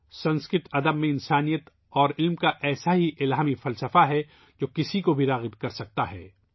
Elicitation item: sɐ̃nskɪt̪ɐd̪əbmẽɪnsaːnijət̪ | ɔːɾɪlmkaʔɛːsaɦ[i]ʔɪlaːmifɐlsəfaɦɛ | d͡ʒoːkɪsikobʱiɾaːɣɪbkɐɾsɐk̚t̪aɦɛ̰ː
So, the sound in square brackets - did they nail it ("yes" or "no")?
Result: yes